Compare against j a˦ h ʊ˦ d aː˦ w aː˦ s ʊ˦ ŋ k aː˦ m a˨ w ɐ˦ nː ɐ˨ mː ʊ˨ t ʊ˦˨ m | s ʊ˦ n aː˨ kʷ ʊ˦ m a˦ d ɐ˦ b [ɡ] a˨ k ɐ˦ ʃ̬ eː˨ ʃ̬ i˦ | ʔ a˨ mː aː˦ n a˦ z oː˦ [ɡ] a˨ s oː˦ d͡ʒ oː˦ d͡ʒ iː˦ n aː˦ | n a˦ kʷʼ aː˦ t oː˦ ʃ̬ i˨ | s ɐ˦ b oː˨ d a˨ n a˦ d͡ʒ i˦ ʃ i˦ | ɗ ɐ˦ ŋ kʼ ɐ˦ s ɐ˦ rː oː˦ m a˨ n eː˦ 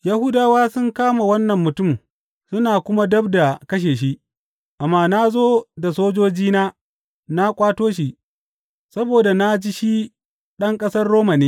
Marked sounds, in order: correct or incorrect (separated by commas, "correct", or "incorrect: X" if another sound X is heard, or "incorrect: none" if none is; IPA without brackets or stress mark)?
incorrect: d, incorrect: d